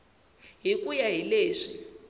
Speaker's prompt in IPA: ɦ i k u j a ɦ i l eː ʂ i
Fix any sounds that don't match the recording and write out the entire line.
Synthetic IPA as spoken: ɦ i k u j a ɦ i l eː ʂ i